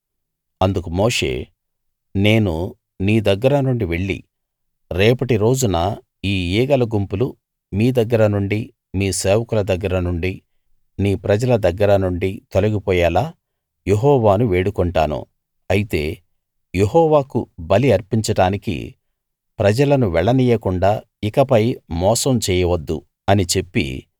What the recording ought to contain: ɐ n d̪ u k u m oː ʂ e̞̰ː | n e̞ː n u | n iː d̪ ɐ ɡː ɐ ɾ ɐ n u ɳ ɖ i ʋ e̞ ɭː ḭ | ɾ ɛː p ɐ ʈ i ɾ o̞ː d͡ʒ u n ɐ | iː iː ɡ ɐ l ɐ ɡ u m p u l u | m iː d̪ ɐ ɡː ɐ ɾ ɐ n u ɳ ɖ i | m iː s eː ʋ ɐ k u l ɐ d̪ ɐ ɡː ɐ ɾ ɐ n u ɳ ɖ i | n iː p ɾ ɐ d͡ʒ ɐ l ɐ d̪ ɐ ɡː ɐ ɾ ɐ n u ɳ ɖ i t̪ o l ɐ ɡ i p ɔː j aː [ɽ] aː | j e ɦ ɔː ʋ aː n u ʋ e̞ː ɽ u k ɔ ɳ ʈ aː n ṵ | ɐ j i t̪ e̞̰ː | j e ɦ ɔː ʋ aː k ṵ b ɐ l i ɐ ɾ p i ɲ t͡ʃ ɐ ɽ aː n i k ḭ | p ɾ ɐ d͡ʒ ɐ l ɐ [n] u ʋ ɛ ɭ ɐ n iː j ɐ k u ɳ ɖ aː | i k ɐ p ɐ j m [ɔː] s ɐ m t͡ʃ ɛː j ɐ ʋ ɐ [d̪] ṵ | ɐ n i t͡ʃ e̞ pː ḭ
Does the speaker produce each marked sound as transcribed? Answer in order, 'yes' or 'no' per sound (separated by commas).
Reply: no, yes, yes, no